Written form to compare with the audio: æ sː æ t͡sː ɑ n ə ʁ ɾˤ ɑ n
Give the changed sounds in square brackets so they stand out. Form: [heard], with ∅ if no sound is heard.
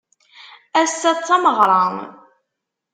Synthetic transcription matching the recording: æ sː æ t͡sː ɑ [m] ə ʁ ɾˤ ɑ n